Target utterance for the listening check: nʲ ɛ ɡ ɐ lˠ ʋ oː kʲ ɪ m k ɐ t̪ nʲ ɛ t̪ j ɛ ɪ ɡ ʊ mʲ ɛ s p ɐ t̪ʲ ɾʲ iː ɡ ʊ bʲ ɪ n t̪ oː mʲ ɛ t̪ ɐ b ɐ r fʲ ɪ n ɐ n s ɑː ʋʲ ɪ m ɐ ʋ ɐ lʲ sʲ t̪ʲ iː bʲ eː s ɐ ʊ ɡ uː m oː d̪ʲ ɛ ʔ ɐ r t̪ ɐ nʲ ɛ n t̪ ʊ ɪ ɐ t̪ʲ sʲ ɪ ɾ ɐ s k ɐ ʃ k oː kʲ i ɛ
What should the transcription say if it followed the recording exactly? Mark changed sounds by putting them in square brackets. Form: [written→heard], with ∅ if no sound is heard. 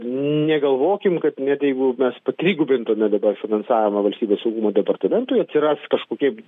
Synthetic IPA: nʲ ɛ ɡ ɐ lˠ ʋ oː kʲ ɪ m k ɐ t̪ nʲ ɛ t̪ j ɛ ɪ ɡ ʊ mʲ ɛ s p ɐ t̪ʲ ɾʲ iː ɡ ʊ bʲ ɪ n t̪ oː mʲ ɛ [t̪→d̪] ɐ b ɐ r fʲ ɪ n ɐ n s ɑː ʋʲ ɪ m ɐ ʋ ɐ lʲ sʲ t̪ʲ iː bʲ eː s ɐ ʊ ɡ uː m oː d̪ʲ ɛ [ʔ→p] ɐ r t̪ ɐ [nʲ→mʲ] ɛ n t̪ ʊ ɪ ɐ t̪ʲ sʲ ɪ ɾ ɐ s k ɐ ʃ k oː kʲ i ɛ